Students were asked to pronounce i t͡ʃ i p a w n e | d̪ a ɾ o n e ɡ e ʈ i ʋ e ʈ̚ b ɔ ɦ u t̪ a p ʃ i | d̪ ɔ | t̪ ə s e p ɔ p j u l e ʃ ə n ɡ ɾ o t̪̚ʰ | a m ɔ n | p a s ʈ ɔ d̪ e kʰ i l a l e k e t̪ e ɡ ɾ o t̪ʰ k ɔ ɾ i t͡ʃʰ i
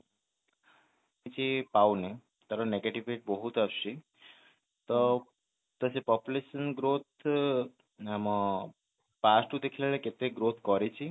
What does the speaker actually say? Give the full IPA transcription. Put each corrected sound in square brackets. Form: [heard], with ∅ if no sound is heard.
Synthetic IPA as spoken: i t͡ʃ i p a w n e | [t̪] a ɾ o n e ɡ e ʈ i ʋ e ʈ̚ b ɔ ɦ u t̪ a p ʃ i | [t̪] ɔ | t̪ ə s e p ɔ p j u l e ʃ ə n ɡ ɾ o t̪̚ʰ | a m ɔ [∅] | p a s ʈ [u] d̪ e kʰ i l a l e k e t̪ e ɡ ɾ o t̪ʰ k ɔ ɾ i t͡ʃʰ i